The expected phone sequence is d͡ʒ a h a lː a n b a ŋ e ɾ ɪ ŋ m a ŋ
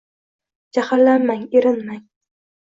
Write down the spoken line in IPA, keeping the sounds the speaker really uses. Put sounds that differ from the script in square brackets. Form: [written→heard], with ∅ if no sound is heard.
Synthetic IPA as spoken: d͡ʒ a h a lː a n [b→m] a ŋ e ɾ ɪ [ŋ→n] m a ŋ

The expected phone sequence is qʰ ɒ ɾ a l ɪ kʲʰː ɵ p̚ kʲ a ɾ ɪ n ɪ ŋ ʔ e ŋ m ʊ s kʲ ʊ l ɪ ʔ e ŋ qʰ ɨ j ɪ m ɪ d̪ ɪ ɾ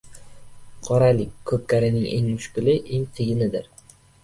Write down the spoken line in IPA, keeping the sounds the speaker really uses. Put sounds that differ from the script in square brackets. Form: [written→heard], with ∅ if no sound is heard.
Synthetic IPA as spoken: qʰ ɒ ɾ a l ɪ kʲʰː ɵ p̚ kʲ a ɾ ɪ n ɪ ŋ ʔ e ŋ m ʊ [s→ʃ] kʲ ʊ l ɪ ʔ e ŋ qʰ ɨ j ɪ [m→n] ɪ d̪ ɪ ɾ

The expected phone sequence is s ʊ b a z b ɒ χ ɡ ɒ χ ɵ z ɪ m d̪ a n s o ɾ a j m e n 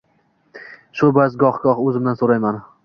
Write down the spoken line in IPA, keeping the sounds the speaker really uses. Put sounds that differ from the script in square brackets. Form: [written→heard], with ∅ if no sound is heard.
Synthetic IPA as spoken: [s→ʃ] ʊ b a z [b→ɡ] ɒ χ ɡ ɒ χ ɵ z ɪ m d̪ a n s o ɾ a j m [e→a] n

